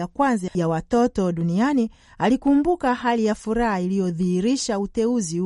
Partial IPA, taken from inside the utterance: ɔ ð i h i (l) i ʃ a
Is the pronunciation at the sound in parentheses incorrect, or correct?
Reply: incorrect